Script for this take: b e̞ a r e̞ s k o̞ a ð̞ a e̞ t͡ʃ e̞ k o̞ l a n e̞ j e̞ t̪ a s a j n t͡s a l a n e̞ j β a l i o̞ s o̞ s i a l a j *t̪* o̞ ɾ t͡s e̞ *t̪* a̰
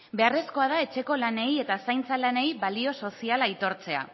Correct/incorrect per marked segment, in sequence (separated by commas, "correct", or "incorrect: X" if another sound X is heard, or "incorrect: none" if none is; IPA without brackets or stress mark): correct, incorrect: none